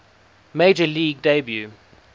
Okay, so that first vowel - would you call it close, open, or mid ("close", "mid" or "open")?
mid